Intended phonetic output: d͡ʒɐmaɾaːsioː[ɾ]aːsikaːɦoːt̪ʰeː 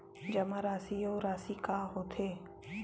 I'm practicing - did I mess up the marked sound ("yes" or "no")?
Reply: no